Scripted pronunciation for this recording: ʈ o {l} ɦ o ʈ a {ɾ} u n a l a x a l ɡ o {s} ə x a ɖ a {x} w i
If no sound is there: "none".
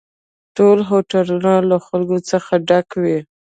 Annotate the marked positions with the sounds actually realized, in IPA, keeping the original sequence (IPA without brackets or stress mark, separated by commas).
l, l, t͡s, k